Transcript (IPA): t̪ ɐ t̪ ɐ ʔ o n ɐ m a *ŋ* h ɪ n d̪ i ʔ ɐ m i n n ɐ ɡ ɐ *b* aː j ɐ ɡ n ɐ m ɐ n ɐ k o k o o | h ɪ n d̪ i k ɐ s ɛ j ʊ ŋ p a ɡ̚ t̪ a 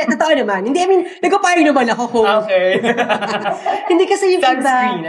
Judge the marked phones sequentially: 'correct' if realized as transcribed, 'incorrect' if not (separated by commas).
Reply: incorrect, incorrect